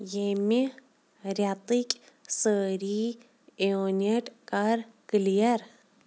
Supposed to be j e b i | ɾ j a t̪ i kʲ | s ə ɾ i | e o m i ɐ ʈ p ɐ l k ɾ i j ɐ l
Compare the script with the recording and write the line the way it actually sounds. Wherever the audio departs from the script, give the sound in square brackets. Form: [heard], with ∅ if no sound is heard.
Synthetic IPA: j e [m] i | ɾ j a t̪ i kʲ | s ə ɾ i | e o [n] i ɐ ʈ [k] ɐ [ɾ] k [l] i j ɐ [ɾ]